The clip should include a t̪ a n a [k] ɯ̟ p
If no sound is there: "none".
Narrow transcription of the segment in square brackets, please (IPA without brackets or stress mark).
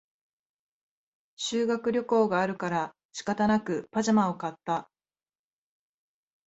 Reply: k